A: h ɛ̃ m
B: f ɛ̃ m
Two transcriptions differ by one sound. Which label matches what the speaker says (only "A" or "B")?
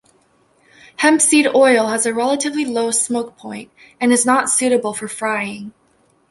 A